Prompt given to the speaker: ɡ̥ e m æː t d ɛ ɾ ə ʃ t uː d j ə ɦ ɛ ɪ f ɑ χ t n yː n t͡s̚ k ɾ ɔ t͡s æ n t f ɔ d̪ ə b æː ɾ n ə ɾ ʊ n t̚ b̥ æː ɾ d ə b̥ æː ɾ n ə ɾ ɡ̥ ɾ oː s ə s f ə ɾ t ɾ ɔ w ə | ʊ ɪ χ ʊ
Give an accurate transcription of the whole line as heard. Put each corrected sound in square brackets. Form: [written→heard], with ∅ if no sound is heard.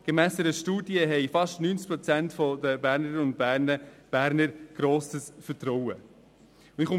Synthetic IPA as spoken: ɡ̥ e m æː [t→s] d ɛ ɾ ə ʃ t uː d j ə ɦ ɛ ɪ f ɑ [χ→ʃ] t n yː n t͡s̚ [k→p] ɾ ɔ t͡s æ n t f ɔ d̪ ə b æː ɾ n ə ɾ ʊ n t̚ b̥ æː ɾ [d→n] ə b̥ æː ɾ n ə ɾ ɡ̥ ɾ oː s ə s f ə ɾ t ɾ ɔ w ə | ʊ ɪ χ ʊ